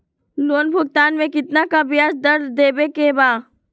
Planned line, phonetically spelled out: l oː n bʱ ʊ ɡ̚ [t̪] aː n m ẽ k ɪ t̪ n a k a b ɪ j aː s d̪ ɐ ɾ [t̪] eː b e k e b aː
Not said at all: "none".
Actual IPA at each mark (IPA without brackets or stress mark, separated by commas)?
t̪, d̪